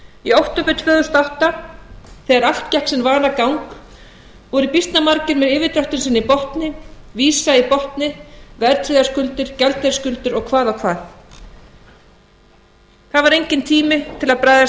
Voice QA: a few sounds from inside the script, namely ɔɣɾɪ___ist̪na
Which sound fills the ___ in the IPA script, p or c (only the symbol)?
p